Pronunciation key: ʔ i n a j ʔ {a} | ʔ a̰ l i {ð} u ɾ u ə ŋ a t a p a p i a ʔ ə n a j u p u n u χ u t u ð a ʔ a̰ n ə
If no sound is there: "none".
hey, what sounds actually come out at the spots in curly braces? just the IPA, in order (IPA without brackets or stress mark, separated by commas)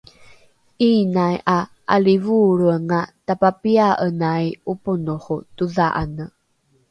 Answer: a, v